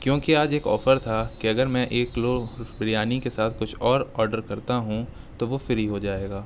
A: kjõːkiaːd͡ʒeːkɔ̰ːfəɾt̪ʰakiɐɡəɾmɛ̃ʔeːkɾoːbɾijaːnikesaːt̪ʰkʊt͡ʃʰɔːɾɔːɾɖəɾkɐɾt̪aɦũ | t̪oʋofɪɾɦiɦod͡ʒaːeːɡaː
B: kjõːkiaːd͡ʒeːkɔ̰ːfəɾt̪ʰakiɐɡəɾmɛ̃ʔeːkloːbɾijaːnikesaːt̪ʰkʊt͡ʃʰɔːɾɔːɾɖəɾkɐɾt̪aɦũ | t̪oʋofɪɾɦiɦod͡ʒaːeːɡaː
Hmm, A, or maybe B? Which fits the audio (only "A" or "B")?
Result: B